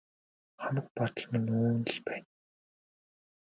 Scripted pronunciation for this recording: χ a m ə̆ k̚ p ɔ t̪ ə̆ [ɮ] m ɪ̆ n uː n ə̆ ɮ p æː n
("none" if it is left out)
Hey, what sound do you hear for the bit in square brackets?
ɮ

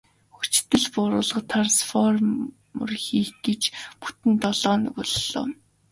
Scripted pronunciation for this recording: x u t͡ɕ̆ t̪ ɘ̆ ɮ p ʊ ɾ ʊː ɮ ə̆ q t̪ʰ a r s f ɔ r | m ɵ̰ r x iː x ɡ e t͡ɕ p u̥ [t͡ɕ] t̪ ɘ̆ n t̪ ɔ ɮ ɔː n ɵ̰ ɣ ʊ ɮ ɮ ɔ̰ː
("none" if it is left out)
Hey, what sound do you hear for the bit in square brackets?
none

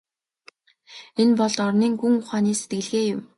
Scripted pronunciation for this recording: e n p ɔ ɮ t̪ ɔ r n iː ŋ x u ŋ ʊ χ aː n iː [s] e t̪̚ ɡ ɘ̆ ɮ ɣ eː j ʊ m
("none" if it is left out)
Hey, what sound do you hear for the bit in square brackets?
s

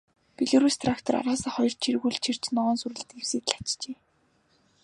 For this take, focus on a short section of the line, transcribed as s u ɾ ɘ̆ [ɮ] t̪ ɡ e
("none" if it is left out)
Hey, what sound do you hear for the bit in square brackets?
ɮ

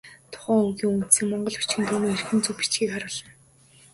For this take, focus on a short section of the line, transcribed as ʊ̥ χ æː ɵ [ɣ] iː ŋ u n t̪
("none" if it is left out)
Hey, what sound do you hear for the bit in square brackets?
ɣ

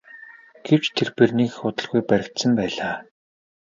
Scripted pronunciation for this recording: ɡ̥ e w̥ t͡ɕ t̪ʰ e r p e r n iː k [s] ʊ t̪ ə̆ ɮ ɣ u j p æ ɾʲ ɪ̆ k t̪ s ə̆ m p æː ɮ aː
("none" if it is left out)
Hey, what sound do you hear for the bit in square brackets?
x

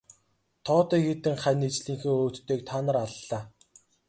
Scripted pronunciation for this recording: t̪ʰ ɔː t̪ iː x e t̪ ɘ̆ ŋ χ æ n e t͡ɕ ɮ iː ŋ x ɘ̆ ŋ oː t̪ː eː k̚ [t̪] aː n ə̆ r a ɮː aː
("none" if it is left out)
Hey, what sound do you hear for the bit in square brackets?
t̪ʰ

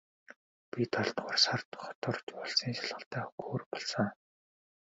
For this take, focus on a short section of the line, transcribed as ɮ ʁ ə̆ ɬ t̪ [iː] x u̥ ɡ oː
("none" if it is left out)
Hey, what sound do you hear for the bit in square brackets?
æː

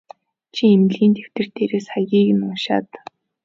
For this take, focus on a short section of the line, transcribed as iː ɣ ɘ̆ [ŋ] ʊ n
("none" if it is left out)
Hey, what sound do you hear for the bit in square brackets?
n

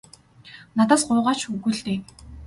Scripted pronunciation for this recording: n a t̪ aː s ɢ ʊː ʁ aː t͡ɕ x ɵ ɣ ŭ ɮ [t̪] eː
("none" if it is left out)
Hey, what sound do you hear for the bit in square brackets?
t̪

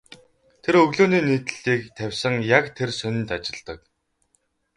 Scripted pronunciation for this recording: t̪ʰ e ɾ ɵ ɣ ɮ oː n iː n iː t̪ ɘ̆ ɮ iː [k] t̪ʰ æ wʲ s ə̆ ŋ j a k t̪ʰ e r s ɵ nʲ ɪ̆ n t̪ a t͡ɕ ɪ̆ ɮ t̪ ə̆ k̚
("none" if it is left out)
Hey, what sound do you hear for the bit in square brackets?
k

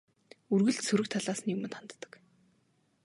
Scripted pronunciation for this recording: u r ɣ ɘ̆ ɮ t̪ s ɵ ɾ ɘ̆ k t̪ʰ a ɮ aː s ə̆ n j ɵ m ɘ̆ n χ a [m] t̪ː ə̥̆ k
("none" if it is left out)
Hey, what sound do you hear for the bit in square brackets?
n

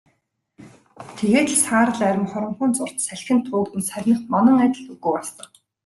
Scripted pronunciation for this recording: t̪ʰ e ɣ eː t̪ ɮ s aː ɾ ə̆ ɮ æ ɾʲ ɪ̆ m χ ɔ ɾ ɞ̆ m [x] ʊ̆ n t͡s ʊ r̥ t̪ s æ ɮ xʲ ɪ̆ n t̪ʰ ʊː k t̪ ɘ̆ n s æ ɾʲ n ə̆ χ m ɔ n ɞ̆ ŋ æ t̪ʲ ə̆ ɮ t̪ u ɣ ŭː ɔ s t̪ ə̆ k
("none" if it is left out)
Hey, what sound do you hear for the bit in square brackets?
χ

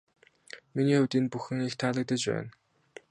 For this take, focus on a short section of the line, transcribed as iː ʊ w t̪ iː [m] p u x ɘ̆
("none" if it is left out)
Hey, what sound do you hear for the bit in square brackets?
n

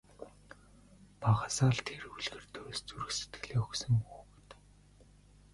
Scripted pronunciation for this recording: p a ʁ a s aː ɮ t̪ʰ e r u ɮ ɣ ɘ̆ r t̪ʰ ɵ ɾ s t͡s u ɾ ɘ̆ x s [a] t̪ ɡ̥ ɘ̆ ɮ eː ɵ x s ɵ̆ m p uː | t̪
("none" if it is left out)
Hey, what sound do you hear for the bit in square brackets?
e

